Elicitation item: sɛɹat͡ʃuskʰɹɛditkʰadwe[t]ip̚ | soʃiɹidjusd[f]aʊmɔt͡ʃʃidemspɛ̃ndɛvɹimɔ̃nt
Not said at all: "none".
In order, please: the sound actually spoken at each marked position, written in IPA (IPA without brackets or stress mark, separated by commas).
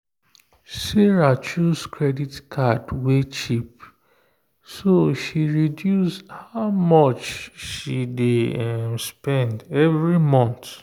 t͡ʃ, h